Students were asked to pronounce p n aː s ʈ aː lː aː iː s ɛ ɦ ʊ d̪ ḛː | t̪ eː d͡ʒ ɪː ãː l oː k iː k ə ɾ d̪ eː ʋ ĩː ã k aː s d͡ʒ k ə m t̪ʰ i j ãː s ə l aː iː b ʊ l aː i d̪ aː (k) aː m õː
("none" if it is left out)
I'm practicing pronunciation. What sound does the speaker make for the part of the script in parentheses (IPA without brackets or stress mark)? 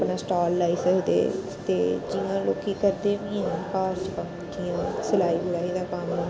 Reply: k